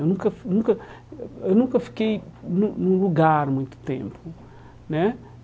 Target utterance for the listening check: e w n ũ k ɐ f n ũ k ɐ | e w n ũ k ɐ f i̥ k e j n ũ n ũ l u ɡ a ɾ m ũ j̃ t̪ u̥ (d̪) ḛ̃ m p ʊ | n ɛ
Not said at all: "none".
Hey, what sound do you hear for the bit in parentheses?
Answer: t̪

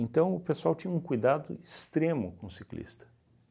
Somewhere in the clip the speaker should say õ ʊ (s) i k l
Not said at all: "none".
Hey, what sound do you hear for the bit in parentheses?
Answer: s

